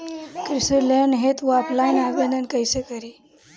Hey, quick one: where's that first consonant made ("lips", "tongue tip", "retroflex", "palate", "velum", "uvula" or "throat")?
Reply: velum